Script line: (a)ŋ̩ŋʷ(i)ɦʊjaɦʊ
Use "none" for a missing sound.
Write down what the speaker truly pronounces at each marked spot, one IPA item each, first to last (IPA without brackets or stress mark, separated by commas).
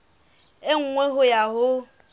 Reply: e, e